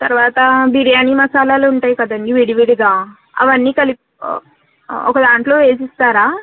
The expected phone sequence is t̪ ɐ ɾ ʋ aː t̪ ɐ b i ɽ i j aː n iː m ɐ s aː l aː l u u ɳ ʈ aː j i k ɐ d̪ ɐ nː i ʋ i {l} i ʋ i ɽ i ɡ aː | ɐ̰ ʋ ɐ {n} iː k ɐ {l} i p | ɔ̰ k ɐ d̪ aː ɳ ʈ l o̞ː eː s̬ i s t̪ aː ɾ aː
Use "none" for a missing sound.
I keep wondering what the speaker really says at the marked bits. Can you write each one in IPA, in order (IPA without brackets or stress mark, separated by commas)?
ɽ, nː, l